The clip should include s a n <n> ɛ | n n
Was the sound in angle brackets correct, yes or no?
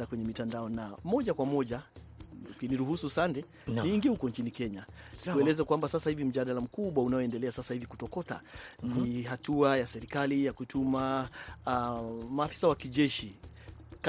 no